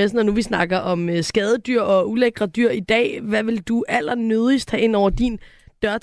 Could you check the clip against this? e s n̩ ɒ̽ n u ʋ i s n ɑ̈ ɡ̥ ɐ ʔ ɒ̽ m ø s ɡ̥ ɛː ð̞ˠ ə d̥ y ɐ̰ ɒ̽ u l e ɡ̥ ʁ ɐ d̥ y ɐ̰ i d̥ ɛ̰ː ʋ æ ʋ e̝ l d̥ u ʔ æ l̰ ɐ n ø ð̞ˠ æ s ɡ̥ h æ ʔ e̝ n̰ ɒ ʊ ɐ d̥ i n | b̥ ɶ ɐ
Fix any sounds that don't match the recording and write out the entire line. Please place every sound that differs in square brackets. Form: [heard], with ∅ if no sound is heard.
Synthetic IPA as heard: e s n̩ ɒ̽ n u ʋ i s n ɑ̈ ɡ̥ ɐ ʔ ɒ̽ m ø s ɡ̥ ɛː ð̞ˠ ə d̥ y ɐ̰ ɒ̽ u l e ɡ̥ ʁ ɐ d̥ y ɐ̰ i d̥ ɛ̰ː ʋ æ ʋ e̝ l d̥ u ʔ æ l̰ ɐ n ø ð̞ˠ [i] s [d̥] h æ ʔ e̝ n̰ ɒ ʊ ɐ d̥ i n | [d̥] ɶ ɐ